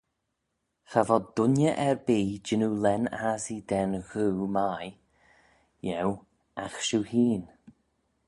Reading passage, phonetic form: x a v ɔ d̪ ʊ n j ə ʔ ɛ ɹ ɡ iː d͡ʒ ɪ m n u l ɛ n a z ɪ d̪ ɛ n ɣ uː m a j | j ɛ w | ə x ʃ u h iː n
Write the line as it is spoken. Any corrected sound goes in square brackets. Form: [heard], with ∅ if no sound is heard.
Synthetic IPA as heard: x a v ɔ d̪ ʊ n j ə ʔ ɛ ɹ [b] iː d͡ʒ ɪ [∅] n u l ɛ n a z [i] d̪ ɛ n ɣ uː m a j | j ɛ w | [a] x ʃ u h iː n